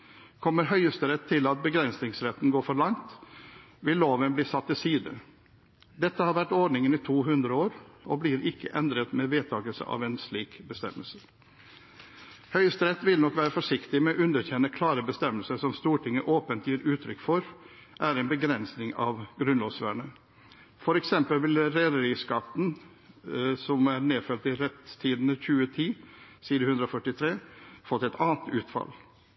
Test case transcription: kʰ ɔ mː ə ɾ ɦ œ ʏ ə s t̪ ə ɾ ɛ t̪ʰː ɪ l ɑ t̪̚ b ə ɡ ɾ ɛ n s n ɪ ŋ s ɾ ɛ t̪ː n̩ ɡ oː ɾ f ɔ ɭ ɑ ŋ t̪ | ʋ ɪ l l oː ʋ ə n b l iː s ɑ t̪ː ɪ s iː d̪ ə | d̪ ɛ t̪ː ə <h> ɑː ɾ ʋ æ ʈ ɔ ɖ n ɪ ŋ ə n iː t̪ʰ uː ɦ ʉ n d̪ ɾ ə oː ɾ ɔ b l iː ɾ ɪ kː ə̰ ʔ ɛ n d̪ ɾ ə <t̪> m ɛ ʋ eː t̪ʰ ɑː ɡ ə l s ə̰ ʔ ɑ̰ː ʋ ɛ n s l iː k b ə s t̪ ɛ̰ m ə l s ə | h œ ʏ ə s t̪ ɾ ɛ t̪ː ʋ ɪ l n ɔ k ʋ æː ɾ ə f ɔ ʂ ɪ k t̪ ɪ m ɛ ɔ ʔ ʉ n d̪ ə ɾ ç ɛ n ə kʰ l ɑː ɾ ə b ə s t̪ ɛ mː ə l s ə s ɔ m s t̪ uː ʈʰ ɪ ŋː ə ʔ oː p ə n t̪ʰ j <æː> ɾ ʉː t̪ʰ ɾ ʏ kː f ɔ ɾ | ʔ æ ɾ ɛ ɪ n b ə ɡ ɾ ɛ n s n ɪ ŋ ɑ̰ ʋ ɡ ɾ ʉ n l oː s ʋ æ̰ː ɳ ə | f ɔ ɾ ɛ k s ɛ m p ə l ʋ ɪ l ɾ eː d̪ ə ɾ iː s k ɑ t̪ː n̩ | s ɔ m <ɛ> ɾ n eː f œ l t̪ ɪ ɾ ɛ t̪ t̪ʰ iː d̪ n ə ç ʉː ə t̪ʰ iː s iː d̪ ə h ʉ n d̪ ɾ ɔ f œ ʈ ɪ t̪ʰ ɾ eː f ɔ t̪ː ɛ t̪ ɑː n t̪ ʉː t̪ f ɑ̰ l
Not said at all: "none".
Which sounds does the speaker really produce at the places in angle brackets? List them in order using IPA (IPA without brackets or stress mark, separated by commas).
h, t̪, iː, æ